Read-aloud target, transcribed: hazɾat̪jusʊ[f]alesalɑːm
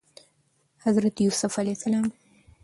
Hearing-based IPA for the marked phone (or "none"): f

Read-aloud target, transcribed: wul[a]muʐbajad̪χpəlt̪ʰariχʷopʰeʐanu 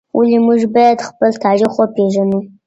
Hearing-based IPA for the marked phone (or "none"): i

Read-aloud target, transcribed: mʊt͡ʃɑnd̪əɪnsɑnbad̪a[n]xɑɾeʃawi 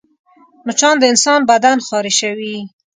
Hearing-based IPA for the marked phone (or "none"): n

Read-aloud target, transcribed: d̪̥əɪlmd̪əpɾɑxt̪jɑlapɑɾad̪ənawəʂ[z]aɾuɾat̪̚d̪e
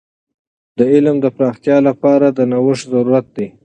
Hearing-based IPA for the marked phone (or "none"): z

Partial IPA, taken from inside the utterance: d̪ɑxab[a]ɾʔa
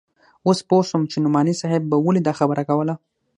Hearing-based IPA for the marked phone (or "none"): ə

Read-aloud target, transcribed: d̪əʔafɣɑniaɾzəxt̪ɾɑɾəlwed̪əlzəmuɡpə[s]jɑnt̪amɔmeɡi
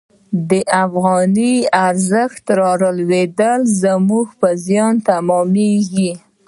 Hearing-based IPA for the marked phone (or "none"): z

